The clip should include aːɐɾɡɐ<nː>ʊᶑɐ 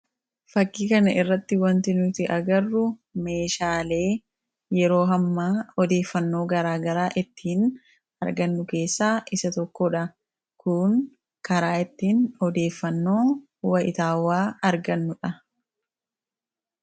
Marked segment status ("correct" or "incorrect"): correct